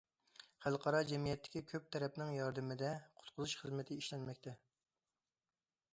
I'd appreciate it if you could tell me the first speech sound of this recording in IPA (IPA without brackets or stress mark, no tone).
χ